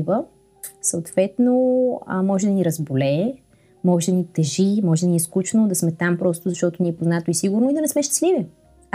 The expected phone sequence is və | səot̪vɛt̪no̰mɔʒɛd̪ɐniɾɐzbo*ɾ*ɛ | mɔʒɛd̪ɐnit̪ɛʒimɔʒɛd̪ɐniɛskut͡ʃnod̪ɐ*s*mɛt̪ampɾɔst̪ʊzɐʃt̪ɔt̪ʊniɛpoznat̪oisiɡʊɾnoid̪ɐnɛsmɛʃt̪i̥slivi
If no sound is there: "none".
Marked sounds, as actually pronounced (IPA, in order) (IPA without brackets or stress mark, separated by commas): l, s